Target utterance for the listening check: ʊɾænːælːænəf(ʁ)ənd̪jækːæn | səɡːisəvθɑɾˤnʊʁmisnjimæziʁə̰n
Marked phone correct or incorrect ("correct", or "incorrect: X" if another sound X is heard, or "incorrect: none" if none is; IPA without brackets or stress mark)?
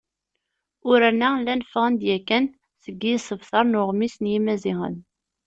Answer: correct